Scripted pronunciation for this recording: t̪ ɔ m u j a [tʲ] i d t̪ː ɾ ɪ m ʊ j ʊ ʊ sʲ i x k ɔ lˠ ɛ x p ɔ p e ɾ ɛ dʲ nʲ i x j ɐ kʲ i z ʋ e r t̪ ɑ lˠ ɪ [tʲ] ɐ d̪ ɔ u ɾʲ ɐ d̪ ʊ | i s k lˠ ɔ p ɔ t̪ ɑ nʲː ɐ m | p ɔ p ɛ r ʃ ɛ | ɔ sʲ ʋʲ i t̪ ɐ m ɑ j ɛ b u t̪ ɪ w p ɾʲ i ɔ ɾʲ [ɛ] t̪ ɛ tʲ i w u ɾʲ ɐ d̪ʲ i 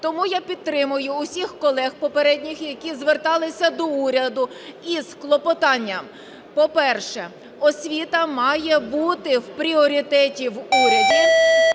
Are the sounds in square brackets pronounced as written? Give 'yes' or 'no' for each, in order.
no, no, no

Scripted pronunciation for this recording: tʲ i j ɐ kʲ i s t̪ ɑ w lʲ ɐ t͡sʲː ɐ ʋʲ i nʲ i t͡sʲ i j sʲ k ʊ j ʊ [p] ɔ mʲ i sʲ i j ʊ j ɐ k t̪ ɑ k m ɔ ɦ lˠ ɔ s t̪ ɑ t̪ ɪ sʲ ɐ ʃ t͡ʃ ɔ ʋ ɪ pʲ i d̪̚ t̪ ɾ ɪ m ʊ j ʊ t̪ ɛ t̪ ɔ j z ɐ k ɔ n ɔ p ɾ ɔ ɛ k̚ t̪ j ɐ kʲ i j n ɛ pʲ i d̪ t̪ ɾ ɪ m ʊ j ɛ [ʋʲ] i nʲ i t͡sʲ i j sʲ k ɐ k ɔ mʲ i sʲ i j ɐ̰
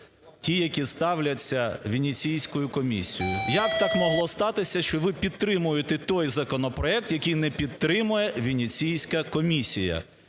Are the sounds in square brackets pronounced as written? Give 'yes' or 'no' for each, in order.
no, yes

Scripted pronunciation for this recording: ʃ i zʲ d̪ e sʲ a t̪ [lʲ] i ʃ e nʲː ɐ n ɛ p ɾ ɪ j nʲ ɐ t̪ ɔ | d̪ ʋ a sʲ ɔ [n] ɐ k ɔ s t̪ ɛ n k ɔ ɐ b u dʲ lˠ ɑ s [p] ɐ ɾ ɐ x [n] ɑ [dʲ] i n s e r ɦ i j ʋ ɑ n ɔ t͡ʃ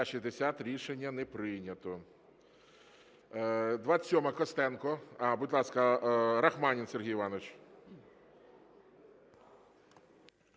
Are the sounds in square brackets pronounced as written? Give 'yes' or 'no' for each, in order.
no, no, no, no, no

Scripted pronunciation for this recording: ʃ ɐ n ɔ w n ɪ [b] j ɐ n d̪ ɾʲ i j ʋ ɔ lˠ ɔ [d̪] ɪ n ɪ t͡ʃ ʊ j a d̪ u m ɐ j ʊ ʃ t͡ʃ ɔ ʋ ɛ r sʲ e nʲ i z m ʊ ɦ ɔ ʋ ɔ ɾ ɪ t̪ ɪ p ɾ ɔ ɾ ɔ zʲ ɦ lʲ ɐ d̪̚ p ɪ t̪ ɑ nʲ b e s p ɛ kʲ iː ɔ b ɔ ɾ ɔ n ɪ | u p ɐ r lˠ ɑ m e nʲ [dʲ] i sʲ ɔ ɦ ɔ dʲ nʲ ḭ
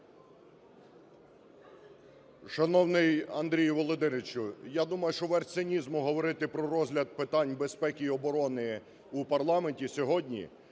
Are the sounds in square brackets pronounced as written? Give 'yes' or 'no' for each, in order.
no, yes, no

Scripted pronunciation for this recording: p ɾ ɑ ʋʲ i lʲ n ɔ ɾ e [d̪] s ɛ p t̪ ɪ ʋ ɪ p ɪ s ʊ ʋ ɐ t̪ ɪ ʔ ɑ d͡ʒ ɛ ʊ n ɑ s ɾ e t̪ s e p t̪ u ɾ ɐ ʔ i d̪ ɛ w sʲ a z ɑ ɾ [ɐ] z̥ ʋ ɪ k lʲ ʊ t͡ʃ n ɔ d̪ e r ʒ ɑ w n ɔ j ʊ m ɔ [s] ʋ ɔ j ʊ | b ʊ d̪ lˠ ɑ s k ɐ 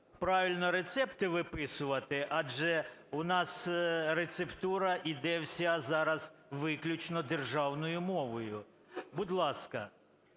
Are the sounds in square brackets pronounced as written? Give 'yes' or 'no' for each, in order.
no, yes, no

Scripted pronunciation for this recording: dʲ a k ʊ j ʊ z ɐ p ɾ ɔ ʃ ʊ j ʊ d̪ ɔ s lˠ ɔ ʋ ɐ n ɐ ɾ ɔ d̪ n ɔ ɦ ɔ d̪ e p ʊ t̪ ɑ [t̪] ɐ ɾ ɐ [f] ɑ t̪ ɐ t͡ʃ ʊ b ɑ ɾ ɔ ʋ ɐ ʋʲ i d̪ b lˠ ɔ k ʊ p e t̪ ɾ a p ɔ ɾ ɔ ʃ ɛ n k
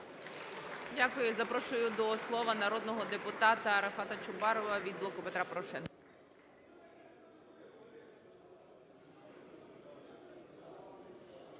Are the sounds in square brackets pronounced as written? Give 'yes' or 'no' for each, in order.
yes, yes

